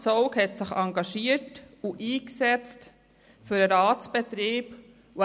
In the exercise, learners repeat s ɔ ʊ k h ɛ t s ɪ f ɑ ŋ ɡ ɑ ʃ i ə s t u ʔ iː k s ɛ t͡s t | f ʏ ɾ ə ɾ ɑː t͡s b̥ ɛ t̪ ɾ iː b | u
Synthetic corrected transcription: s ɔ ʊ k h ɛ t s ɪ χ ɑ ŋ ɡ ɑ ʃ i ə t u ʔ iː k s ɛ t͡s t | f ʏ ɾ ə ɾ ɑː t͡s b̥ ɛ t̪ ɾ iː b | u

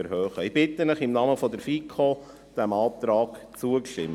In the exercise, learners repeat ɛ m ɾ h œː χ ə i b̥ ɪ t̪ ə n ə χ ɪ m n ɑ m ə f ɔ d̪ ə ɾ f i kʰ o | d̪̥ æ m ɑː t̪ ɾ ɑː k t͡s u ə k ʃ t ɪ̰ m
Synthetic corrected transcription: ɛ ɾ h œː χ ə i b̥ ɪ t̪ ə n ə χ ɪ m n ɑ m ə f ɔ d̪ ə ɾ f i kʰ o | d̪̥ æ m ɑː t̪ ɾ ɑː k t͡s u ə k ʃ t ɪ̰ m

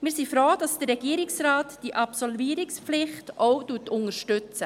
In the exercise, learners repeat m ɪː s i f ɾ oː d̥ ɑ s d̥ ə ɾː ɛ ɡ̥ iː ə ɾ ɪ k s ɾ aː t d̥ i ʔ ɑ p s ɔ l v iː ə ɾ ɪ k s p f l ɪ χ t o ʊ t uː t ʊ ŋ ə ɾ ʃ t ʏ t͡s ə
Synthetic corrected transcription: m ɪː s i f ɾ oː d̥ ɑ s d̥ ə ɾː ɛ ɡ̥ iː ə ɾ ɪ k s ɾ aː t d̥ i ʔ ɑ p s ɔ l v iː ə ɾ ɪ k s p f l ɪ χ t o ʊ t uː t ʊ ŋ ə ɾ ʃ t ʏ t͡s ə

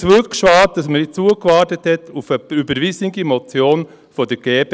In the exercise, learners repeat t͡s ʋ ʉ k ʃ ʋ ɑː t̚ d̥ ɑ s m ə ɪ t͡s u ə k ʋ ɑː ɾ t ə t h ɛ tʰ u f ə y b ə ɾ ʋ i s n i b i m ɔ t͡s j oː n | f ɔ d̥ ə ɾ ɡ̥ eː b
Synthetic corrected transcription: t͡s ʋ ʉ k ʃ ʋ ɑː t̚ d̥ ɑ s m ə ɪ t͡s u ə k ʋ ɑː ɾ t ə t h ɛ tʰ u f ə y b ə ɾ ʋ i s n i ɡ i m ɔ t͡s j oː n | f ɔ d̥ ə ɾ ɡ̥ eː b

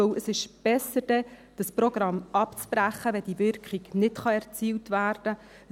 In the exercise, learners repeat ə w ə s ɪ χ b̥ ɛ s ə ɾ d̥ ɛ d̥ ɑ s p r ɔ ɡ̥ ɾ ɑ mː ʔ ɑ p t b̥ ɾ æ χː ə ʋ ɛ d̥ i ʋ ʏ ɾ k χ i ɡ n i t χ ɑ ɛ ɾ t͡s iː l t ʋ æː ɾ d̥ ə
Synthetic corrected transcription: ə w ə s ɪ ʃ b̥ ɛ s ə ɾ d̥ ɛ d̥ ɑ s p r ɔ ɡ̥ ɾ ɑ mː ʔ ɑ p t͡s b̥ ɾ æ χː ə ʋ ɛ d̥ i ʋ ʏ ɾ k χ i ɡ n ɪ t χ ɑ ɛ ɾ t͡s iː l t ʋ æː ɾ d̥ ə

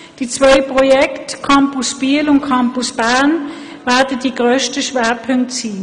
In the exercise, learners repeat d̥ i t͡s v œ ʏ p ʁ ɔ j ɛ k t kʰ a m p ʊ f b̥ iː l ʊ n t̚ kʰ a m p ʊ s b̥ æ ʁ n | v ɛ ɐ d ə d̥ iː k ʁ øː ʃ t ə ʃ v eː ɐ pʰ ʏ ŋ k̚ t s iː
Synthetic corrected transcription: d̥ i t͡s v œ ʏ p ʁ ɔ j ɛ k t kʰ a m p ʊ s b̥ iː l ʊ n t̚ kʰ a m p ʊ s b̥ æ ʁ n | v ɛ ɐ d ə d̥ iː ɡ ʁ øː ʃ t ə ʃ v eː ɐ pʰ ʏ ŋ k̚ t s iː

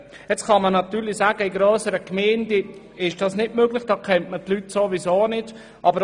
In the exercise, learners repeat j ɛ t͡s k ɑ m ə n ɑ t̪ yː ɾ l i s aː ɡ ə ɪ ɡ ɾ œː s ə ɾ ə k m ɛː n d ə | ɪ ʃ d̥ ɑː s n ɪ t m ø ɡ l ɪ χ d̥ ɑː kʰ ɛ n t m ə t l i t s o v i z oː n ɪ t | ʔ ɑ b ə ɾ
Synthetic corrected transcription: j ɛ t͡s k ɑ m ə n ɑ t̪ yː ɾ l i s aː ɡ ə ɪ ɡ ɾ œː s ə ɾ ə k m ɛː n d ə | ɪ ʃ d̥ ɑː s n ɪ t m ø ɡ l ɪ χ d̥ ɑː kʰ ɛ n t m ə t l y t s o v i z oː n ɪ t | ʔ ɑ b ə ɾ

